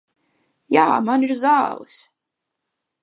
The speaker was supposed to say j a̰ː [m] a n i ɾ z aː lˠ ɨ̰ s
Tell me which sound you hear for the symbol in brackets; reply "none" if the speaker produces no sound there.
m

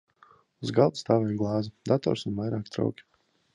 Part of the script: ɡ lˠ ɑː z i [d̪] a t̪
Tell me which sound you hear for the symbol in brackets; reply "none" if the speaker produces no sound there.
d̪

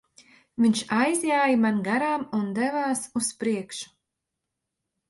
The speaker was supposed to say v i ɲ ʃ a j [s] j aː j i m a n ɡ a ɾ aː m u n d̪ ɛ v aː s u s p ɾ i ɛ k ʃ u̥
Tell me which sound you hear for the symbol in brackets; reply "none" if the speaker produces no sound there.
z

